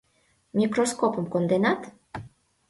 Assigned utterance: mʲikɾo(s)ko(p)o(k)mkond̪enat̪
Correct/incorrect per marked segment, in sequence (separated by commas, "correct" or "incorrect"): correct, correct, incorrect